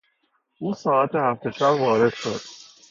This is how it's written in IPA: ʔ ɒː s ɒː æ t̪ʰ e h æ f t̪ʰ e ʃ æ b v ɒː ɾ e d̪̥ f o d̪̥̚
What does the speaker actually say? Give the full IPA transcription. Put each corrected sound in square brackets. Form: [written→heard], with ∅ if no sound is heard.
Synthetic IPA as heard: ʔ [ɒː→uː] s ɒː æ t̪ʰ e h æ f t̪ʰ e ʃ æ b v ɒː ɾ e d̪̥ [f→ʃ] o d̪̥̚